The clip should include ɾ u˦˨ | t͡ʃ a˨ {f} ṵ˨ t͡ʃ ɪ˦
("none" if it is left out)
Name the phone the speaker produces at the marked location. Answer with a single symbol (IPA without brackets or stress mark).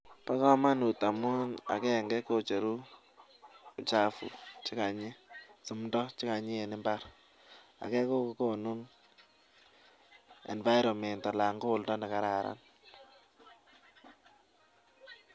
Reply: f